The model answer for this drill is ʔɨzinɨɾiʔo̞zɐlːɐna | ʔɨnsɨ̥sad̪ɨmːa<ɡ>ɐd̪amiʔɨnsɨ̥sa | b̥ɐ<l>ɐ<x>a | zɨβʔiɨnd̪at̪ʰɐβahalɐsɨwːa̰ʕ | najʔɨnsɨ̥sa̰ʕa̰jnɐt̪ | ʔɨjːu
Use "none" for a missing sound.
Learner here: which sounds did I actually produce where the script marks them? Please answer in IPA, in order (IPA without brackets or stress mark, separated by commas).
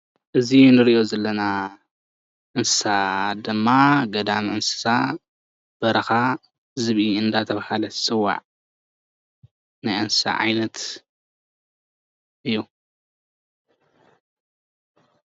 ɡ, ɾ, x